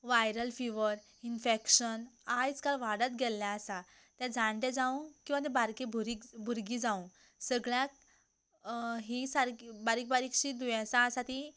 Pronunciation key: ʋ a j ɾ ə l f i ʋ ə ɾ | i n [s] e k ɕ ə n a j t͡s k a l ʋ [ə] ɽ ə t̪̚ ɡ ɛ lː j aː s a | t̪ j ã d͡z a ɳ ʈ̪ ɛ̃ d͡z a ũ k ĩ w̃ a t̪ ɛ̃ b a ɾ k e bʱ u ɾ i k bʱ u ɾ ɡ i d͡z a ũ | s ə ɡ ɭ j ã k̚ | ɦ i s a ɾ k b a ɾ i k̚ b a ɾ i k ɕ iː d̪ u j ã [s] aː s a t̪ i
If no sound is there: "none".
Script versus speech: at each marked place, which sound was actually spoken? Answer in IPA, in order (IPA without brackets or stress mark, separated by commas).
f, a, s